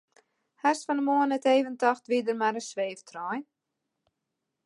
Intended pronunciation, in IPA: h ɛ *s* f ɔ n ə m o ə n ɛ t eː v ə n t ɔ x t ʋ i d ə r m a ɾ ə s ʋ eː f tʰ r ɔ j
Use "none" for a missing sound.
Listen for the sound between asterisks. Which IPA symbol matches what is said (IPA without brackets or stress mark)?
s